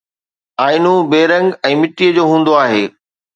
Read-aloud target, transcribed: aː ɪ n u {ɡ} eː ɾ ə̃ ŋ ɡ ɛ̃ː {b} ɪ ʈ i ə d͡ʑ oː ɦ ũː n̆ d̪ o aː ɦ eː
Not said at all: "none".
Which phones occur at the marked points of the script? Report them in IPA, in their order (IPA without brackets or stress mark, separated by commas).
b, m